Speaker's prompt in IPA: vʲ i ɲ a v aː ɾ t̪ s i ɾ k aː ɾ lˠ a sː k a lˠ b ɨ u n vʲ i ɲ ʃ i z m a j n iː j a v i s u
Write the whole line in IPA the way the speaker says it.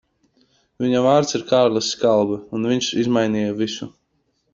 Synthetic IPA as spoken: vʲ i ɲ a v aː ɾ t̪ s i ɾ k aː ɾ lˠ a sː k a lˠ b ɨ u n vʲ i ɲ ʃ i z m a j n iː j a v i s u